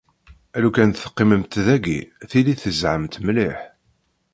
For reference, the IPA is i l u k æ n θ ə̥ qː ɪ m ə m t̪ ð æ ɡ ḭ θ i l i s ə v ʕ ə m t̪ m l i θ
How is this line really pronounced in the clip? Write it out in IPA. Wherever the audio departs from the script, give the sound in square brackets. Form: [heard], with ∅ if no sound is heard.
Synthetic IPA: [æ] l u k æ n θ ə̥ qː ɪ m ə m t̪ ð æ ɡ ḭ θ i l i [θ] ə [z] ʕ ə m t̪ m l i [ħ]